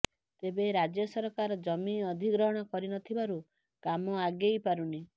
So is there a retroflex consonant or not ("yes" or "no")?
yes